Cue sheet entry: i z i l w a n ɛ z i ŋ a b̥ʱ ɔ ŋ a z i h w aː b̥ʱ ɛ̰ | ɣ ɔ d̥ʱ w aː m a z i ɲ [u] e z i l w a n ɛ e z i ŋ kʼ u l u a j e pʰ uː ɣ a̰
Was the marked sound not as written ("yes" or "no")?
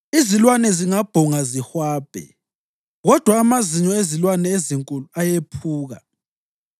yes